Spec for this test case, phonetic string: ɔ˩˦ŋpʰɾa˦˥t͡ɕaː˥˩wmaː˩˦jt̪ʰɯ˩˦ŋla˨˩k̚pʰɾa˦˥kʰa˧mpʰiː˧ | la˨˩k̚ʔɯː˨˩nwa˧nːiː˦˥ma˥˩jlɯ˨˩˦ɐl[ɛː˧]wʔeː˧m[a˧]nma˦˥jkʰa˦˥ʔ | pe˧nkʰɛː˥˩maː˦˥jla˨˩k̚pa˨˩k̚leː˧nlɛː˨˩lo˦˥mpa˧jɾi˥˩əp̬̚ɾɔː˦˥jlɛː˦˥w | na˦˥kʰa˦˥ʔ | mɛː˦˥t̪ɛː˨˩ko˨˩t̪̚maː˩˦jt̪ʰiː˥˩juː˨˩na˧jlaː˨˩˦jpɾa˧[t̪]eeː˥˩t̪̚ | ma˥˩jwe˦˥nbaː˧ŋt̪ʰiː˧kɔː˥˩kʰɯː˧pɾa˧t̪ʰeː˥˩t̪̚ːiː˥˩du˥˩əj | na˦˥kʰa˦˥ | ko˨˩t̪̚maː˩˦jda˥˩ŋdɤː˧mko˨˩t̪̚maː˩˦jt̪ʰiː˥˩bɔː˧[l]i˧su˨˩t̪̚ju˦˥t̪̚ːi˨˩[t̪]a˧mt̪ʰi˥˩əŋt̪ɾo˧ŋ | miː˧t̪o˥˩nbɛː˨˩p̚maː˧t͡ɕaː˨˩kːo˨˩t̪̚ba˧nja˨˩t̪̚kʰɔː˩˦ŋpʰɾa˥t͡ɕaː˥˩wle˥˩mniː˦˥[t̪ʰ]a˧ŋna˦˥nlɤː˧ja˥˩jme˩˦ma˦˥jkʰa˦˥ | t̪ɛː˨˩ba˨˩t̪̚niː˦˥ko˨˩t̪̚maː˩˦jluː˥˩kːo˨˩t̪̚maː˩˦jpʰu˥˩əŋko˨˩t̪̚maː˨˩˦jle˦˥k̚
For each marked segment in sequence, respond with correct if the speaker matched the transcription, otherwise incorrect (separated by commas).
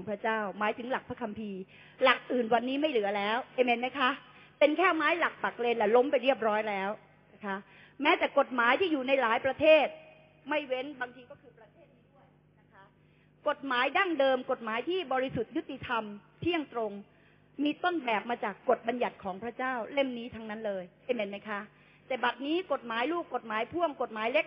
incorrect, incorrect, incorrect, incorrect, incorrect, correct